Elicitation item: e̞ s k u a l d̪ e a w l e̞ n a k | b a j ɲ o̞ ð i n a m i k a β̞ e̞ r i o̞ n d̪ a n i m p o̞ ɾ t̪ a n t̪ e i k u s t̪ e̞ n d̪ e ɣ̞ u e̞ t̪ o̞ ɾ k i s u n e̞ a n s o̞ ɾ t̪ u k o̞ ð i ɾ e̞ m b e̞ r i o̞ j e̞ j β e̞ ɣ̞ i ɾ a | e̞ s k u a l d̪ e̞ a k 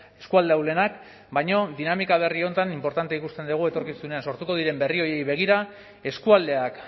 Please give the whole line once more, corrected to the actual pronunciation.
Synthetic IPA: e̞ s k u a l d̪ e a w l e̞ n a k | b a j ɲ o̞ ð i n a m i k a β̞ e̞ r i o̞ n t̪ a n i m p o̞ ɾ t̪ a n t̪ e i k u s t̪ e̞ n d̪ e ɣ̞ u e̞ t̪ o̞ ɾ k i s u n e̞ a n s o̞ ɾ t̪ u k o̞ ð i ɾ e̞ m b e̞ r i o̞ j e̞ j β e̞ ɣ̞ i ɾ a | e̞ s k u a l d̪ e̞ a k